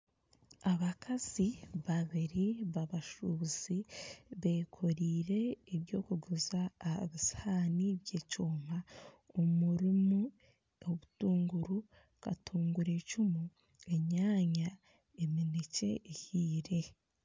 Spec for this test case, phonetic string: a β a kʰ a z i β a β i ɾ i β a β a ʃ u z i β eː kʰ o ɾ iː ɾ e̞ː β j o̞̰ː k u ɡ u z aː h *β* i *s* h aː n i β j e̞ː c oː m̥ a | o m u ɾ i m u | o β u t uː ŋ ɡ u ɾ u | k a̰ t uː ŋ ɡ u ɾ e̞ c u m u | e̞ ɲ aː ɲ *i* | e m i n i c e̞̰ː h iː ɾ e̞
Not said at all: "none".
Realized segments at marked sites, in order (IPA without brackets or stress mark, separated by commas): β, s, a